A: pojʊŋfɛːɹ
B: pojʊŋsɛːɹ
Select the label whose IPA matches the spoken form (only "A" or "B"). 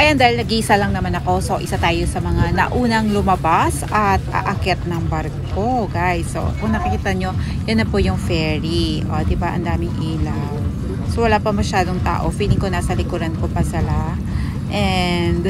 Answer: A